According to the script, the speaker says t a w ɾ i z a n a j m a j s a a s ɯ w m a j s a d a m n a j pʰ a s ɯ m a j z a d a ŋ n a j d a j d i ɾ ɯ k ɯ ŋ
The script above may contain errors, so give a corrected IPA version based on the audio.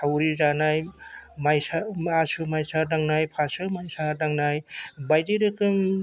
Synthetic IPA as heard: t a w ɾ i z a n a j m a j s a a s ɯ m a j s a d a ŋ n a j pʰ a s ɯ m a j s a d a ŋ n a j b a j d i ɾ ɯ k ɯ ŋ